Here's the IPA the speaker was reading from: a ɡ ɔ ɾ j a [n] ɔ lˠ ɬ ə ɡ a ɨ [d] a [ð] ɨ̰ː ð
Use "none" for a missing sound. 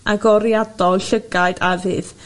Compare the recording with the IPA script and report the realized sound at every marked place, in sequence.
d, d, v

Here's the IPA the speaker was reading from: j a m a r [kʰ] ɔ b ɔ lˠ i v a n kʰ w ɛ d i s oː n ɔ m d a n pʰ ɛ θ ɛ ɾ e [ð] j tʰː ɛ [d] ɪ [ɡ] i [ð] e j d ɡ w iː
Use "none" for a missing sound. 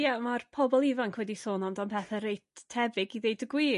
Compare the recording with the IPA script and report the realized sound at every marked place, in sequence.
pʰ, none, b, ɡ, ð

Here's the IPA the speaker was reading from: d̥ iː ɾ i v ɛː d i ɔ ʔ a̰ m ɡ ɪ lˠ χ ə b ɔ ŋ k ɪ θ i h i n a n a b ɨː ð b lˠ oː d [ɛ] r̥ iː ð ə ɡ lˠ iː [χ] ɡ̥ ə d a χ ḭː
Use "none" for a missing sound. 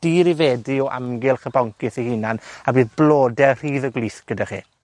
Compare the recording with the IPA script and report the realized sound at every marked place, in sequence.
ɛ, θ

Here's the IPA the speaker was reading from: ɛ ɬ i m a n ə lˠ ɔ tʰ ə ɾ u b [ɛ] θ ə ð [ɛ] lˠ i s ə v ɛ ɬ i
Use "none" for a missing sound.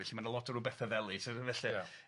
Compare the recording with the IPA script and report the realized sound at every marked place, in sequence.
ɛ, ɛ

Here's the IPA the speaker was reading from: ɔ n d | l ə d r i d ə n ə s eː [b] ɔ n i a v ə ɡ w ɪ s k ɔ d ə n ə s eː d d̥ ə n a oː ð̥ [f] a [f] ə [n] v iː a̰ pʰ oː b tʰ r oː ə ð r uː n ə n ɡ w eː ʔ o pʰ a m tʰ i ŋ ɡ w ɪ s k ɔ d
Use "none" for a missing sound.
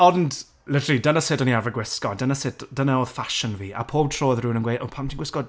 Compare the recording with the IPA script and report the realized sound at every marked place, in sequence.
d, f, ʃ, n

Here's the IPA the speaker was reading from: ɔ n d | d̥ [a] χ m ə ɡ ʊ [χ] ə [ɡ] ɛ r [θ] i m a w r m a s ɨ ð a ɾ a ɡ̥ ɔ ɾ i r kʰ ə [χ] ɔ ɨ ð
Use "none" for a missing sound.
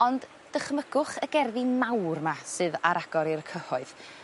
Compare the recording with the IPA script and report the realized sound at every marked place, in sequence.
ə, χ, ɡ, ð, h

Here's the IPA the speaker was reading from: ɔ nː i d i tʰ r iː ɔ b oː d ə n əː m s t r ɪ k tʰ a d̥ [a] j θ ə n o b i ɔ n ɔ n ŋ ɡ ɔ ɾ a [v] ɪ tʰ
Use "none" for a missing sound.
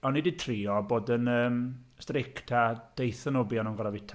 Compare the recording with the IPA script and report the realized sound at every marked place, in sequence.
e, v

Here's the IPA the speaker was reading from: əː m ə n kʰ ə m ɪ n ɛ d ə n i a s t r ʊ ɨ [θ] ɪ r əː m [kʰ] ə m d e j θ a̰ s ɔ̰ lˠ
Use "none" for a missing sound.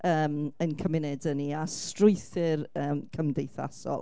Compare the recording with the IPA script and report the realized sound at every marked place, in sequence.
θ, kʰ

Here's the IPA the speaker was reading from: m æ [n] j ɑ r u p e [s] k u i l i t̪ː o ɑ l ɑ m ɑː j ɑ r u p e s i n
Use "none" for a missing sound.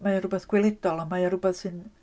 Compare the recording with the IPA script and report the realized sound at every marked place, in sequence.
none, s

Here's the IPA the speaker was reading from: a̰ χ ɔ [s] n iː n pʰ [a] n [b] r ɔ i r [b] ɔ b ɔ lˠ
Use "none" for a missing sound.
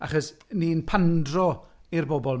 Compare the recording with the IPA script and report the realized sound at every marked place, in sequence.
s, a, d, b

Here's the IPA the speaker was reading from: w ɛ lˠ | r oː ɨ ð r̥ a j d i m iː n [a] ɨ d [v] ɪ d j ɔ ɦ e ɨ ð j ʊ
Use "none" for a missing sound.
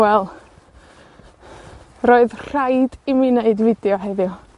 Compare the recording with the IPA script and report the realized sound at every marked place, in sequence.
e, v

